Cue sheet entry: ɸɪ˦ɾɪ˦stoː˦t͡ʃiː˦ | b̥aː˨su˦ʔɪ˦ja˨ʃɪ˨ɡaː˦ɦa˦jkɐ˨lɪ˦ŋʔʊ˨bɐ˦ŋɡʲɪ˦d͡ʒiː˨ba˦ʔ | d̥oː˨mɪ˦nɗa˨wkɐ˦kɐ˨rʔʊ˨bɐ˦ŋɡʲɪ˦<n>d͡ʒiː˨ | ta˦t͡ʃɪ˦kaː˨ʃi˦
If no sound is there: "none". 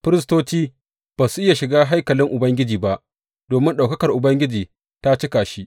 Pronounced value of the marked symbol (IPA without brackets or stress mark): none